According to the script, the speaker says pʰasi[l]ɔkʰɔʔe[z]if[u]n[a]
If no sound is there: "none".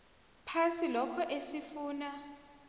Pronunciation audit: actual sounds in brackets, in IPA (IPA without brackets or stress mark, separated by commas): l, s, uː, a